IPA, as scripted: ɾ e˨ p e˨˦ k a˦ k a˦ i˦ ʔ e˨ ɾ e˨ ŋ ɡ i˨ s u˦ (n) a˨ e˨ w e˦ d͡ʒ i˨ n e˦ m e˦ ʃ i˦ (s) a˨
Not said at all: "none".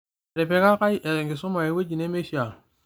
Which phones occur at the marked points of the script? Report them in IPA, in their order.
m, none

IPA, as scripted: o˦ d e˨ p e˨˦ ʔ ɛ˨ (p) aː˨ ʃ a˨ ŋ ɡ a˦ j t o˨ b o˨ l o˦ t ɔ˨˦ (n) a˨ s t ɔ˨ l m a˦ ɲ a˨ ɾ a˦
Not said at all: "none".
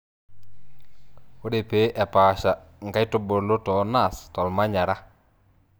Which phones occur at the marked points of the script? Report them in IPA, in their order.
p, n

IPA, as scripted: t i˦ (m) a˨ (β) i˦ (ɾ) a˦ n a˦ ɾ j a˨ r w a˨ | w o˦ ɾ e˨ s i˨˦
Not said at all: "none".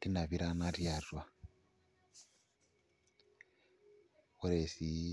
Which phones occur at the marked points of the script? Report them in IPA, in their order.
n, β, ɾ

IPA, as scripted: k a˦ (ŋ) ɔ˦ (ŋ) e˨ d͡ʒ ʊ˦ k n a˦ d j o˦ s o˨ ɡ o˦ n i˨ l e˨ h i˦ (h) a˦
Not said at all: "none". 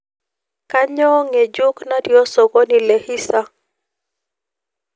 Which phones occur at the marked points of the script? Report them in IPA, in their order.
ɲ, ŋ, s

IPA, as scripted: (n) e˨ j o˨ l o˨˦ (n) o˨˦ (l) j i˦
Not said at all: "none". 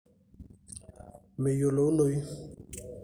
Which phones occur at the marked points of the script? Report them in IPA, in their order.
m, n, none

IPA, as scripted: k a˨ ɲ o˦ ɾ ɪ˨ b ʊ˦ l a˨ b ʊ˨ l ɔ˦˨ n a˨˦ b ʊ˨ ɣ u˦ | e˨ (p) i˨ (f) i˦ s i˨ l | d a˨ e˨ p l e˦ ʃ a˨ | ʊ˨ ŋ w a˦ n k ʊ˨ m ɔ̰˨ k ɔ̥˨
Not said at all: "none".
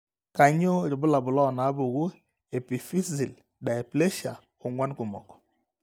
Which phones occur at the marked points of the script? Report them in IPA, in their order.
p, f

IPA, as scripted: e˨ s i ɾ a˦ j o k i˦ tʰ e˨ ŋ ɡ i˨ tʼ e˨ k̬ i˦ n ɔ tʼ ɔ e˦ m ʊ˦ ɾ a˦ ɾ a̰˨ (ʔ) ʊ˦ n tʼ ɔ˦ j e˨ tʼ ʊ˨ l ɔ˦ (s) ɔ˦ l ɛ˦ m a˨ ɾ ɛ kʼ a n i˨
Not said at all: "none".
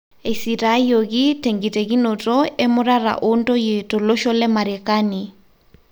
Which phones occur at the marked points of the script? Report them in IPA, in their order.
ʔ, ʃ

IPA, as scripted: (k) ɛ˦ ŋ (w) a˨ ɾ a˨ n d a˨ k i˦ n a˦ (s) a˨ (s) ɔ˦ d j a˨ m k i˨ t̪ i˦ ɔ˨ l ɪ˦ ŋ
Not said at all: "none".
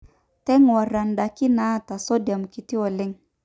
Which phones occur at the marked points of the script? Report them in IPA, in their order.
t, w, t, s

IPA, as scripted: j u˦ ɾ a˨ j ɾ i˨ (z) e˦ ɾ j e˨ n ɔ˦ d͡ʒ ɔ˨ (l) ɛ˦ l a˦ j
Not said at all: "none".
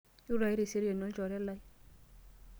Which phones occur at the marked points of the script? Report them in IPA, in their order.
s, ɾ

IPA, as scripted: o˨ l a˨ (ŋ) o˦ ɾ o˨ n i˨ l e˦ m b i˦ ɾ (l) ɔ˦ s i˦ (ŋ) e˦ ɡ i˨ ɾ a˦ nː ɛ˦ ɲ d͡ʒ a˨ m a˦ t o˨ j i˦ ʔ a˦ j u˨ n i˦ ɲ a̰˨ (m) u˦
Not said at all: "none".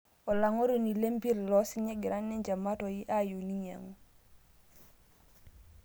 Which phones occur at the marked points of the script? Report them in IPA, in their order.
ŋ, l, ɲ, ŋ

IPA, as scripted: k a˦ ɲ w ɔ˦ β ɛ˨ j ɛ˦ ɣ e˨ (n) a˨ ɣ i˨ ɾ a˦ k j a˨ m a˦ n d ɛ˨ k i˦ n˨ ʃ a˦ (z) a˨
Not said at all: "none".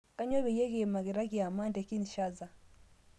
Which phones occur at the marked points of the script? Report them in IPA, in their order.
m, z

